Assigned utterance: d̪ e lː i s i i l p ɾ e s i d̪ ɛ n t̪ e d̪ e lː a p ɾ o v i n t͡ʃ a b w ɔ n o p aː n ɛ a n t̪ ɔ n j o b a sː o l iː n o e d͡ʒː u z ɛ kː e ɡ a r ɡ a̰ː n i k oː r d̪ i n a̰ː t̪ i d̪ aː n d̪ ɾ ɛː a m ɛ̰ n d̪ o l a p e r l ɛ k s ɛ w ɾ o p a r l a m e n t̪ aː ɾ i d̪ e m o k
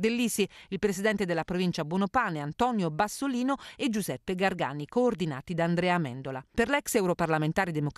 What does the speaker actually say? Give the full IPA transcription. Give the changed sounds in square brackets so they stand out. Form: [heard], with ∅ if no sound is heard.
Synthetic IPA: d̪ e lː i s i i l p ɾ e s i d̪ ɛ n t̪ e d̪ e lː a p ɾ o v i n t͡ʃ a b w ɔ n o p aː n [e] a n t̪ ɔ n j o b a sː o l iː n o e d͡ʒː u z ɛ [pː] e ɡ a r ɡ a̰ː n i k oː r d̪ i n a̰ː t̪ i d̪ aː n d̪ ɾ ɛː a m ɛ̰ n d̪ o l a p e r l ɛ k s ɛ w ɾ o p a r l a m e n t̪ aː ɾ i d̪ e m o k